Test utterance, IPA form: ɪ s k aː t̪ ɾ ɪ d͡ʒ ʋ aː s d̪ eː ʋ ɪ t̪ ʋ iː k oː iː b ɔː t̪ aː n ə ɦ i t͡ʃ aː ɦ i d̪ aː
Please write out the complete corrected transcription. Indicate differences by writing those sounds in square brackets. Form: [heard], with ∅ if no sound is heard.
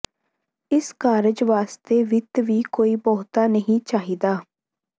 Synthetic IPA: ɪ s k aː [∅] ɾ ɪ d͡ʒ ʋ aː s [t̪] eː ʋ ɪ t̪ ʋ iː k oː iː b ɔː t̪ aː n ə ɦ [ĩ] t͡ʃ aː ɦ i d̪ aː